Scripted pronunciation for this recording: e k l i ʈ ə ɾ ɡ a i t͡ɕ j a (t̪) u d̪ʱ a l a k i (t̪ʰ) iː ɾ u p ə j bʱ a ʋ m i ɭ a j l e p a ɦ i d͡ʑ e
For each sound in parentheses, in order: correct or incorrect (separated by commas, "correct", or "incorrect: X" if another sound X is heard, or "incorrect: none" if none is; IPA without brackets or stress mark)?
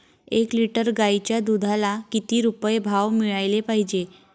incorrect: d̪, incorrect: t̪